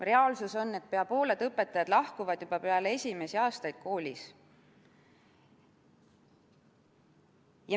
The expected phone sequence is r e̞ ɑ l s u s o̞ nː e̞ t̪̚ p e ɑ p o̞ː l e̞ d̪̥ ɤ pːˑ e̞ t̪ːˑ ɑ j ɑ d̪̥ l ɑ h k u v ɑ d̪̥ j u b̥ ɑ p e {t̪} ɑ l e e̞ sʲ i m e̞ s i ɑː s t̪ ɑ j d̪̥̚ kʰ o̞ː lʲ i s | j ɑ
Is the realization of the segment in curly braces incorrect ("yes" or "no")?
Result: yes